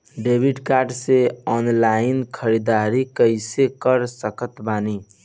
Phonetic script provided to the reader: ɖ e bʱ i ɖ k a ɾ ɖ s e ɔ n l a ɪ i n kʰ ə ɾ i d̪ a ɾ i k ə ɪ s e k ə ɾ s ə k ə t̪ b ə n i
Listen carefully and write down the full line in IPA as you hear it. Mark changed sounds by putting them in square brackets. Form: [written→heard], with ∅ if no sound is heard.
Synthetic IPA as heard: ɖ e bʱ i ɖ k a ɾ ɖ s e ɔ n l a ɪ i n kʰ ə ɾ i d̪ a ɾ i k ə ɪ s e k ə ɾ s ə k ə t̪ b [ə→a] n i